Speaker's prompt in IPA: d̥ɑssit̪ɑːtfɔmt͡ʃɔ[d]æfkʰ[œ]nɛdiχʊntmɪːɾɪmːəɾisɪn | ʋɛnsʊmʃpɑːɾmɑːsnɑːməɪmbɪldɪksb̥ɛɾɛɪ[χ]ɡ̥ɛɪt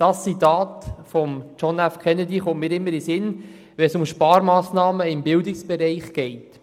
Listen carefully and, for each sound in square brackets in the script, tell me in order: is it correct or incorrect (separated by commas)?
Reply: incorrect, incorrect, correct